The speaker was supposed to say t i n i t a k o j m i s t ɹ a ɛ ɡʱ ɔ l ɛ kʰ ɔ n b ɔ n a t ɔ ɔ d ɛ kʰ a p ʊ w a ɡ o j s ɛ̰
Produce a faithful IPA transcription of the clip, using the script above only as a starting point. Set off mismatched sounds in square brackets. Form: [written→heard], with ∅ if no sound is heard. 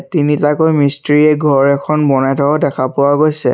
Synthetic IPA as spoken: t i n i t a k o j m i s t ɹ [a→i] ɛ ɡʱ ɔ [l→ɹ] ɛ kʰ ɔ n b ɔ n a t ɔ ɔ d ɛ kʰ a p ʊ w a ɡ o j s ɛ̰